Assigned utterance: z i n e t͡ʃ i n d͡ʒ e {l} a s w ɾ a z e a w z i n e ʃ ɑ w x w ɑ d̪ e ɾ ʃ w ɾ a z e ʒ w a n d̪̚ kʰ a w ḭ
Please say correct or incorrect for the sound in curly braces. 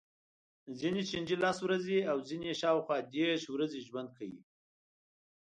correct